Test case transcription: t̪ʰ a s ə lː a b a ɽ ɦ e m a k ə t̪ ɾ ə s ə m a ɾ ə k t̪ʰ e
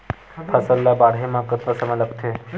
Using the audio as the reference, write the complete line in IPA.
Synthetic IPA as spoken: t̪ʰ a s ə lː a b a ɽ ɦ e m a k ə t̪ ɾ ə s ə m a l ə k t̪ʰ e